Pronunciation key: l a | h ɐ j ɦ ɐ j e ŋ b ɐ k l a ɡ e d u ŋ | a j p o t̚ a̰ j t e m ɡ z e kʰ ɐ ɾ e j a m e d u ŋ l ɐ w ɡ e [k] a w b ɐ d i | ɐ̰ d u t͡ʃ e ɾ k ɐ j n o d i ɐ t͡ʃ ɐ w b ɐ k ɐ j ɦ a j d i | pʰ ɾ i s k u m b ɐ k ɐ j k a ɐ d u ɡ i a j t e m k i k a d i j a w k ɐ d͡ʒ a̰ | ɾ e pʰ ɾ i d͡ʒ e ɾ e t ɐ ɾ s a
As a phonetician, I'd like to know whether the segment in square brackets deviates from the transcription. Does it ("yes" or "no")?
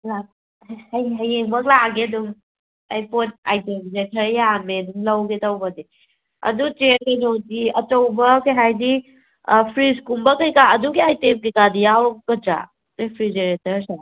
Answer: yes